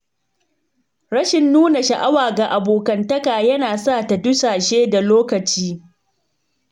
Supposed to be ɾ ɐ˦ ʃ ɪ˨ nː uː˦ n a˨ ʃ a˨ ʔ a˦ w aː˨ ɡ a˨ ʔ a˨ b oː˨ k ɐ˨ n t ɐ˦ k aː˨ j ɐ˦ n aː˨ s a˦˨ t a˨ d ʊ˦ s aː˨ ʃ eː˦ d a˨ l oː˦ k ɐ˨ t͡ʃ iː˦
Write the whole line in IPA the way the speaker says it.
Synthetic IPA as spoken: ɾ ɐ˦ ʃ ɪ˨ nː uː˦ n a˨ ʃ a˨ ʔ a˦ w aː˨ ɡ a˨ ʔ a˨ b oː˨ k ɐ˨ n t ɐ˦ k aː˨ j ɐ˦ n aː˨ s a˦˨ t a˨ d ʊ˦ s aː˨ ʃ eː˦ d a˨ l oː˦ k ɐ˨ t͡ʃ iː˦